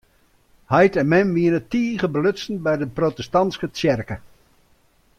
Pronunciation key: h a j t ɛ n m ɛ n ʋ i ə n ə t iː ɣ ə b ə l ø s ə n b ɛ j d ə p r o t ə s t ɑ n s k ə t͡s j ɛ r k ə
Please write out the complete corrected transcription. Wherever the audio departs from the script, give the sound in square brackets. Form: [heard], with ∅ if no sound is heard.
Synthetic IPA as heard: h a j t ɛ n m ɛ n ʋ i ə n ə t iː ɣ ə b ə l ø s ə n b ɛ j d ə p r o t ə s t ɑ n s k ə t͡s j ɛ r k ə